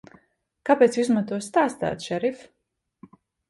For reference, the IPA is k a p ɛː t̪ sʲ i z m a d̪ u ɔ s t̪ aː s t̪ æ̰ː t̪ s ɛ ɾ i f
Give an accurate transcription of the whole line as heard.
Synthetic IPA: k a p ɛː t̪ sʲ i z m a t̪ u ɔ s t̪ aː s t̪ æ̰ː t̪ ʃ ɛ ɾ i f